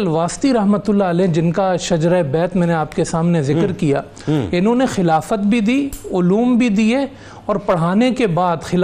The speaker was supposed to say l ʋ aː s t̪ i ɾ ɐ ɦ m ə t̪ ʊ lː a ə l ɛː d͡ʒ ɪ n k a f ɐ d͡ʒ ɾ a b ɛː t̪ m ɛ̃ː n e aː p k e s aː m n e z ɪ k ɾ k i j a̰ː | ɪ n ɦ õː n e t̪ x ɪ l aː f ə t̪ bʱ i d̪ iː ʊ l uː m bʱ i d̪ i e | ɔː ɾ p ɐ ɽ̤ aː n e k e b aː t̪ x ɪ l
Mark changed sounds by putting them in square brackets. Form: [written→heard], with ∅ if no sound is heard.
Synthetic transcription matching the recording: l ʋ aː s t̪ i ɾ ɐ ɦ m ə t̪ ʊ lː a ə l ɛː d͡ʒ ɪ n k a [f→ʃ] ɐ d͡ʒ ɾ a b ɛː t̪ m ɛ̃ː n e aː p k e s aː m n e z ɪ k ɾ k i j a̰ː | ɪ n ɦ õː n e [t̪→∅] x ɪ l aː f ə t̪ bʱ i d̪ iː ʊ l uː m bʱ i d̪ i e | ɔː ɾ p ɐ ɽ̤ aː n e k e b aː [t̪→d̪] x ɪ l